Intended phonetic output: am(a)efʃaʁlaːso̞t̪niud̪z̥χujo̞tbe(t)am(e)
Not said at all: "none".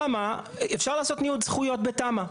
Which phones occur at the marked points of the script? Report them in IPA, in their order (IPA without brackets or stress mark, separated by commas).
a, t, a